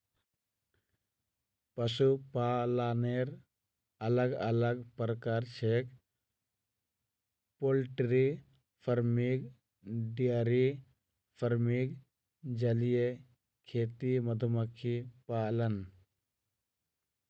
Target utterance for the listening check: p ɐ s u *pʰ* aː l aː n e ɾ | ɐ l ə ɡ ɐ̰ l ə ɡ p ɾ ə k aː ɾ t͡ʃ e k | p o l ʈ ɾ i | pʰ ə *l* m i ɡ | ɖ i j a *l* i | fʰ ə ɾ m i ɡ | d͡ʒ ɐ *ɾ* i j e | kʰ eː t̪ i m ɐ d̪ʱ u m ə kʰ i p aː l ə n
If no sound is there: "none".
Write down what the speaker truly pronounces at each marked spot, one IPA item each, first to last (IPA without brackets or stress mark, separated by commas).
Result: p, ɾ, ɾ, l